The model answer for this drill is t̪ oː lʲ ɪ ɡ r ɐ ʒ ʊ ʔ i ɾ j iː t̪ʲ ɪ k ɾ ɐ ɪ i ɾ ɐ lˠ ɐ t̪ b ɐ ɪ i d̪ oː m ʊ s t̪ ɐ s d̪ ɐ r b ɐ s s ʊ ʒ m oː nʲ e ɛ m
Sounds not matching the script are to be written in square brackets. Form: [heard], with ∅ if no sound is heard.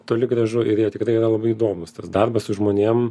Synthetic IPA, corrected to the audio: t̪ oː lʲ ɪ ɡ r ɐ ʒ ʊ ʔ [ɪ] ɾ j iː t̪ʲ ɪ k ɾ ɐ ɪ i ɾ ɐ lˠ ɐ [∅] b ɐ ɪ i d̪ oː m ʊ s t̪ ɐ s d̪ ɐ r b ɐ s s ʊ ʒ m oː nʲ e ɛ m